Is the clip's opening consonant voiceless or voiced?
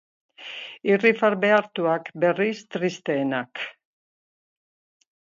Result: voiced